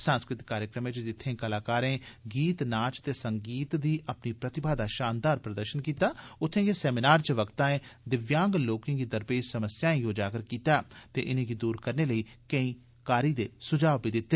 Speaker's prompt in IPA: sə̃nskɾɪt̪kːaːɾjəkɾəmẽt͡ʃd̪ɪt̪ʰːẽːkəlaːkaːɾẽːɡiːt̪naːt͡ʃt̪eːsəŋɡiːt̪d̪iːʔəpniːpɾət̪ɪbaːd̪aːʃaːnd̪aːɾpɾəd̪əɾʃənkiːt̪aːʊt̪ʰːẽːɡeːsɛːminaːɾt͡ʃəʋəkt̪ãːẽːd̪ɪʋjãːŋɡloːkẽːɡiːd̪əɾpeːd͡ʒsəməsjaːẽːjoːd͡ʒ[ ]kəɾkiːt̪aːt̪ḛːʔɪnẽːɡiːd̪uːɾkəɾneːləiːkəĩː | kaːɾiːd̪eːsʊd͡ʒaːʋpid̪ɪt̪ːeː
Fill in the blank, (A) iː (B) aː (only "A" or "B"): B